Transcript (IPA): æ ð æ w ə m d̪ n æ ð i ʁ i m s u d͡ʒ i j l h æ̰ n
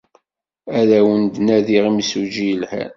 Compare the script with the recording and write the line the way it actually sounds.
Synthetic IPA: æ ð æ w ə n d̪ n æ ð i ʁ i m s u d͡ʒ i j l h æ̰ n